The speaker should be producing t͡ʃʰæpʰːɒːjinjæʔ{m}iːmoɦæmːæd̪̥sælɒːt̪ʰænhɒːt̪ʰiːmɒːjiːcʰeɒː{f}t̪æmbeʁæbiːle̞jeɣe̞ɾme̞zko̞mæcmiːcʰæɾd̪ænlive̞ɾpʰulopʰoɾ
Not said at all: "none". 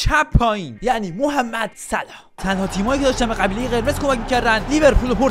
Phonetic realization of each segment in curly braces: n, ʃ

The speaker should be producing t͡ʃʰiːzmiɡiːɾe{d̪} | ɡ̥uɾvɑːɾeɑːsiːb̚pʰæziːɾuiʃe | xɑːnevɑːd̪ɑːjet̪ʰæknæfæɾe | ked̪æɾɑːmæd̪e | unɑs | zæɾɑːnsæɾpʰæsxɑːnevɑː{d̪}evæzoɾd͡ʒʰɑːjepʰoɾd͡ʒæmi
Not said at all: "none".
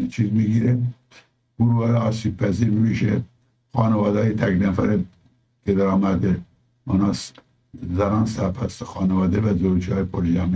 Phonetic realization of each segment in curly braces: none, d̪

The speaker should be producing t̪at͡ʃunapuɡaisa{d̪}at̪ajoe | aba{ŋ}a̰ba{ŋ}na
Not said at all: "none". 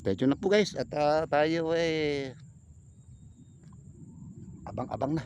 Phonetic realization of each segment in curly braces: t̪, ŋ, ŋ

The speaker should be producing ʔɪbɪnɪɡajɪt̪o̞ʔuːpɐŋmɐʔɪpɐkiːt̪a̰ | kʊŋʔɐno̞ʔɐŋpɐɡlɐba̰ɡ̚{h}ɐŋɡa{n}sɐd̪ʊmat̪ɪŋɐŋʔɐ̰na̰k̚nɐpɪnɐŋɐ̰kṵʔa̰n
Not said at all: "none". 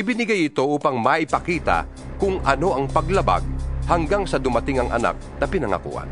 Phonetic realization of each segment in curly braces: h, ŋ

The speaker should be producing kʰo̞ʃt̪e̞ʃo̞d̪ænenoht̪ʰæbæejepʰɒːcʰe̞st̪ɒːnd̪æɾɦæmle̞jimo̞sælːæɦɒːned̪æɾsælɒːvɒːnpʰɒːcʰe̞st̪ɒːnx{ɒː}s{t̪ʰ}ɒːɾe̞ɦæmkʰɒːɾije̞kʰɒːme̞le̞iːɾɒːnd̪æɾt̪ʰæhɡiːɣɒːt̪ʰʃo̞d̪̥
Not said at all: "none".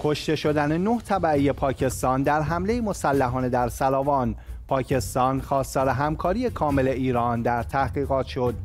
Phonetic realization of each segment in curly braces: ɒː, t̪

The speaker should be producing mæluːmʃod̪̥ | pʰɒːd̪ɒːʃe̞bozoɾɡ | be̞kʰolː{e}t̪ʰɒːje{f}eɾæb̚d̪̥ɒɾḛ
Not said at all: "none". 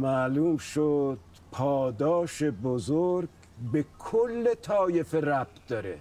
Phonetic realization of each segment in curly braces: e, f

